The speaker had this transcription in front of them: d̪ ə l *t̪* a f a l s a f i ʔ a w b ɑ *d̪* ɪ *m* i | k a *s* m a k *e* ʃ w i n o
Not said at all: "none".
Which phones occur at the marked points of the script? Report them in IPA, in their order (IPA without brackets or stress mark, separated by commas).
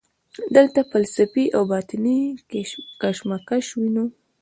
t̪, t̪, n, ʃ, a